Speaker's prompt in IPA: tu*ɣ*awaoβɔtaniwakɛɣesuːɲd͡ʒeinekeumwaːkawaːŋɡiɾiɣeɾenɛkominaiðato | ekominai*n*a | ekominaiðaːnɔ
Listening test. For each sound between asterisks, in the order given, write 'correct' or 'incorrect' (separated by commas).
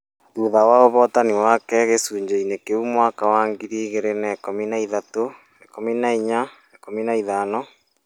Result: incorrect, incorrect